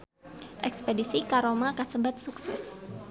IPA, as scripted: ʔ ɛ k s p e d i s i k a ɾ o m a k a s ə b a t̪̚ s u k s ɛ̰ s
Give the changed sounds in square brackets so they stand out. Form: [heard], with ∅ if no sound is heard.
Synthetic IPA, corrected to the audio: ʔ ɛ k s p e d i s i k a ɾ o m a k a s ə b a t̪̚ s u k s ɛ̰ s